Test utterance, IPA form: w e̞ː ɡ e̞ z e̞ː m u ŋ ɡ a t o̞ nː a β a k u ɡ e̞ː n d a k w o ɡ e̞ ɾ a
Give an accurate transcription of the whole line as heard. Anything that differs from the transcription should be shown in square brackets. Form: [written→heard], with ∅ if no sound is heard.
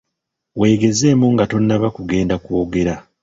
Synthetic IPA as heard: w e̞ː ɡ e̞ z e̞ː m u ŋ ɡ a t o̞ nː a β a k u ɡ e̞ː n d a k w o ɡ e̞ ɾ a